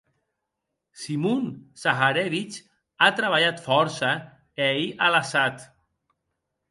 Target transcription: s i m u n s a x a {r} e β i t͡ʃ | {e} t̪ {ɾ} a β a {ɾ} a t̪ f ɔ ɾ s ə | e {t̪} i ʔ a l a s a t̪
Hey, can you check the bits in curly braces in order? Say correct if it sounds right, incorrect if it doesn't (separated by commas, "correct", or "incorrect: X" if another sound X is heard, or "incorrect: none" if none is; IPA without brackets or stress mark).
incorrect: ɾ, incorrect: a, correct, incorrect: ʎ, incorrect: none